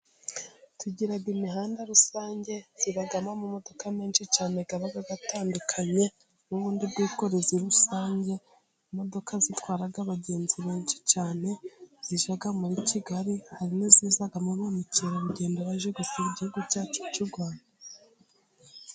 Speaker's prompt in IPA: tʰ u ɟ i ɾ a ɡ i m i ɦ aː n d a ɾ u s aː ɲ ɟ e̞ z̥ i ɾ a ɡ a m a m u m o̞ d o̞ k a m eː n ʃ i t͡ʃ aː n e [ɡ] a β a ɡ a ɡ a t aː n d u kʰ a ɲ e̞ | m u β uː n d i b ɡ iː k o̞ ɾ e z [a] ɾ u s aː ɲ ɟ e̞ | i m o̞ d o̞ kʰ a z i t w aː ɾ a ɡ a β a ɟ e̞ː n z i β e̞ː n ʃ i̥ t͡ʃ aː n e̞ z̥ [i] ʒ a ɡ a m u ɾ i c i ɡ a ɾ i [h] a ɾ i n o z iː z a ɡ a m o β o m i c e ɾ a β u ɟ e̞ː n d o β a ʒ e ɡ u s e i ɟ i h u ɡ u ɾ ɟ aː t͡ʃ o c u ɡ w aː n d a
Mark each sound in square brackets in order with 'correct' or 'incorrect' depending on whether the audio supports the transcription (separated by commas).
correct, incorrect, correct, correct